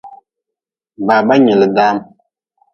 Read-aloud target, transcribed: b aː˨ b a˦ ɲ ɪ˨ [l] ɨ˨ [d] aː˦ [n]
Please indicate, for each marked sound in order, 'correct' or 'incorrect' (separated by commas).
correct, correct, incorrect